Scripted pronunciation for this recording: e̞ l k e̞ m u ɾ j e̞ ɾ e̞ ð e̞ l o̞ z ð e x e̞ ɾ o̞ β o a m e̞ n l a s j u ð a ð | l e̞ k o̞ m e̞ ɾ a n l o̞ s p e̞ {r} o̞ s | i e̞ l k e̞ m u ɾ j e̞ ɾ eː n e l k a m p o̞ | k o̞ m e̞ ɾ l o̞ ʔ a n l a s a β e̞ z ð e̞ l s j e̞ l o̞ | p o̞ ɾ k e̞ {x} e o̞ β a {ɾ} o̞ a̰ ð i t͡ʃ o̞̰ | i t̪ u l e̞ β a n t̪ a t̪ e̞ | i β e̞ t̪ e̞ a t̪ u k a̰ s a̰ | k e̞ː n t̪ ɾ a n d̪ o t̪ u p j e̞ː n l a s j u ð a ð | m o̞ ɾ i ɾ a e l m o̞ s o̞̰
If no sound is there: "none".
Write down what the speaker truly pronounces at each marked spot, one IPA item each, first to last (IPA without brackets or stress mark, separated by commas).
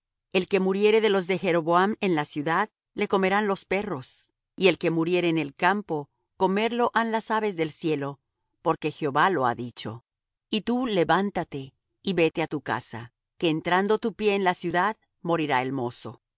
r, x, l